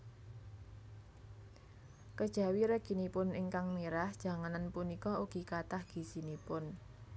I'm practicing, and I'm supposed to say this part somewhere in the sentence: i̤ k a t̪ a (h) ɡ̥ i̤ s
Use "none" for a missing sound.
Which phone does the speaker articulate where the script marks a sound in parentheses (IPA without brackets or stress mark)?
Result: h